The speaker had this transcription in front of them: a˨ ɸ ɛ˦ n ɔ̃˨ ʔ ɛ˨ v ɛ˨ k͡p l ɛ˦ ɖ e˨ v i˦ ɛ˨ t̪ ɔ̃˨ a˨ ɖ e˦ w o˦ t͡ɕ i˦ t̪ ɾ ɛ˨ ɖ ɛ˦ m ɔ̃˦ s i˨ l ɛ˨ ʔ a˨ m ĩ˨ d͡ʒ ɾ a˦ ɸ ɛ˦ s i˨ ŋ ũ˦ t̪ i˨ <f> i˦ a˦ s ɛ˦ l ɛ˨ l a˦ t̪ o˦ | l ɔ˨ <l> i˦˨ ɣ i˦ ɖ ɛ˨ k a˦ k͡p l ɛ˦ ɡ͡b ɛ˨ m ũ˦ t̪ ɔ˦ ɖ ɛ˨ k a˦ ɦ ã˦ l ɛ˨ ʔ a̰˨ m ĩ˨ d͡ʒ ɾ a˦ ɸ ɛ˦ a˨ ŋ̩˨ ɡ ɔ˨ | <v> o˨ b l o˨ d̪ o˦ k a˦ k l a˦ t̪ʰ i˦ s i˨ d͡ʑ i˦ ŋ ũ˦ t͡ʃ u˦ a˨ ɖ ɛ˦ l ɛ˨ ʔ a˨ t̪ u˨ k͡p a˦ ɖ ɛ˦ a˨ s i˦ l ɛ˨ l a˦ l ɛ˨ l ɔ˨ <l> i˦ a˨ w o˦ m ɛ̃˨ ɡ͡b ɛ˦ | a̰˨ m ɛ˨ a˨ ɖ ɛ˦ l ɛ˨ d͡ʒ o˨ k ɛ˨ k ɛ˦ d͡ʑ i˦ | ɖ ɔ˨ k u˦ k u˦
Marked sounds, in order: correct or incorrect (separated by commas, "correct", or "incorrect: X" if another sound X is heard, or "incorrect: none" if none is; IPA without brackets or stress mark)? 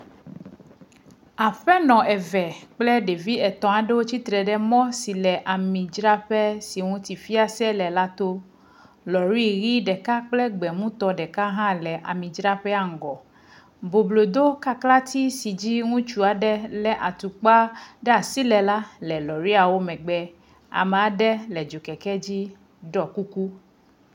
correct, incorrect: ɾ, incorrect: b, incorrect: ɾ